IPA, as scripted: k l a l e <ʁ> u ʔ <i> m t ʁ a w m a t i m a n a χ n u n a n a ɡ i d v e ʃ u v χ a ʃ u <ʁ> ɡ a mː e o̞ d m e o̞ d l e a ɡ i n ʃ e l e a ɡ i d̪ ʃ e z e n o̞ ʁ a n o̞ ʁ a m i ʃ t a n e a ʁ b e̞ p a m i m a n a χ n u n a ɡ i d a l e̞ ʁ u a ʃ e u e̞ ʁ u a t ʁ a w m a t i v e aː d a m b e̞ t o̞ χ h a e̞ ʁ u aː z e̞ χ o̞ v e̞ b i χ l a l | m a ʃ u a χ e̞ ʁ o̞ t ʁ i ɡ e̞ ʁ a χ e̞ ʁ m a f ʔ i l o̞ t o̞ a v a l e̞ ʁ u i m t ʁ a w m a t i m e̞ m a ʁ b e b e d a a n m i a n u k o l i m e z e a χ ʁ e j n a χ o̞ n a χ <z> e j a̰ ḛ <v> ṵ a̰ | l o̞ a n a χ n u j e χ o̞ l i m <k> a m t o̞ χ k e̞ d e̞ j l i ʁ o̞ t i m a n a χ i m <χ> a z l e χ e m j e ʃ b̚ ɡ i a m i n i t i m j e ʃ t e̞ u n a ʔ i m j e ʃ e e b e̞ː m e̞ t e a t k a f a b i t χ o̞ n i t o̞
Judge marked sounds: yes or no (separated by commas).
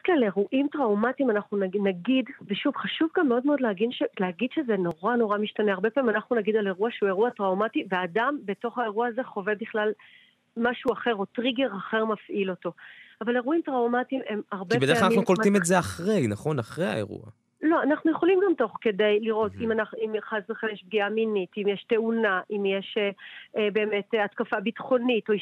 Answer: yes, yes, no, no, no, no, yes